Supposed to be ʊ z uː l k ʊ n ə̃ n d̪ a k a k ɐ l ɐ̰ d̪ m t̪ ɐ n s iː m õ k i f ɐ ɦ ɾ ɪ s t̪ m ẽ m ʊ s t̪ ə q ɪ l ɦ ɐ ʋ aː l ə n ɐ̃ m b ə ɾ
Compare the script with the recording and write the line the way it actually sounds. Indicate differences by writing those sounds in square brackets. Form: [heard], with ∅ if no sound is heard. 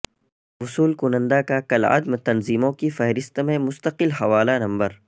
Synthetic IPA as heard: ʊ [s] uː l k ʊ n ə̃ n d̪ a k a k ɐ l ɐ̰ d̪ m t̪ ɐ n [z] iː m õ k i f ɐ ɦ ɾ ɪ s t̪ m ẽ m ʊ s t̪ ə q ɪ l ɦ ɐ ʋ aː l [a] n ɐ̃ m b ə ɾ